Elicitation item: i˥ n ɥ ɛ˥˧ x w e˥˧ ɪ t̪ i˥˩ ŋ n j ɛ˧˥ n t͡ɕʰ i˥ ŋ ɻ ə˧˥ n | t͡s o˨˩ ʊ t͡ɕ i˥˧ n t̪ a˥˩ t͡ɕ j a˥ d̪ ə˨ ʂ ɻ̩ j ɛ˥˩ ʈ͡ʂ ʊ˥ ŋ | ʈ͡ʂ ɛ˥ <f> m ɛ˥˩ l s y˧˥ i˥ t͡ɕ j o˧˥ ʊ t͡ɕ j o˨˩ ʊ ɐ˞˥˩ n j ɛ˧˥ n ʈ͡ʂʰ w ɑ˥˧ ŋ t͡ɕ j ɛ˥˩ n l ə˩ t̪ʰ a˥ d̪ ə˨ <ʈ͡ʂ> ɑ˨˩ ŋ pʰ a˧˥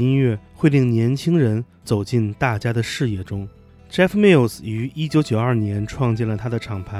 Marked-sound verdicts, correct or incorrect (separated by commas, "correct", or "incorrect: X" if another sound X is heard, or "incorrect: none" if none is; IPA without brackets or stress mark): correct, incorrect: ʈ͡ʂʰ